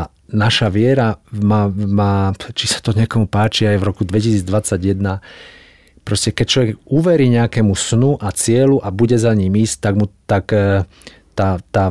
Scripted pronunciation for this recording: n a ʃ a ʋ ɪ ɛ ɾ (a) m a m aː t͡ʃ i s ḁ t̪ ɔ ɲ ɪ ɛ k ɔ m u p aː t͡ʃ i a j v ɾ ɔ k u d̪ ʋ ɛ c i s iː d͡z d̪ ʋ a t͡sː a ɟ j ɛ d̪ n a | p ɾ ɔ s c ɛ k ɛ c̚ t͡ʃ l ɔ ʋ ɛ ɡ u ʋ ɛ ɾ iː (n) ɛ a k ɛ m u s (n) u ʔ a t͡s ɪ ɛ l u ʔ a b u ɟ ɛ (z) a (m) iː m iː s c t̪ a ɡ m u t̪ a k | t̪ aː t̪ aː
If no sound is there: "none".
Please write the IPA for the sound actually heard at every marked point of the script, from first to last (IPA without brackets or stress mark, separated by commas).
a, ɲ, n, z, ɲ